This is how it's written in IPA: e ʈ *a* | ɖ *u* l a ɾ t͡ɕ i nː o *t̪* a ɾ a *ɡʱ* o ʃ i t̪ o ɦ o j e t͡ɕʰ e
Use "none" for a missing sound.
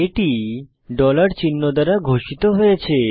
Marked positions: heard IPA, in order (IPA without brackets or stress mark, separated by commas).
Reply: i, ɔ, d̪, ɡʱ